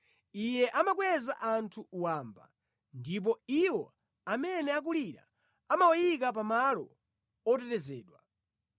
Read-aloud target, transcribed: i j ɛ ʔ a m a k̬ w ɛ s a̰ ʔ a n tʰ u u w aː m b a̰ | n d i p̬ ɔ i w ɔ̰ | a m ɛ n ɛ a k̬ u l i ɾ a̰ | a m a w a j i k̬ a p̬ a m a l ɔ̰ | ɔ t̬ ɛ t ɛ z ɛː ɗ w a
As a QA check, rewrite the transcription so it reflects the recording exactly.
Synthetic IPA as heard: i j ɛ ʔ a m a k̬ w ɛ z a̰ ʔ a n tʰ u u w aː m b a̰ | n d i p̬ ɔ i w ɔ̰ | a m ɛ n ɛ a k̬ u l i ɾ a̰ | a m a w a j i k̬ a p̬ a m a l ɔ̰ | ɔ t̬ ɛ t ɛ z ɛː ɗ w a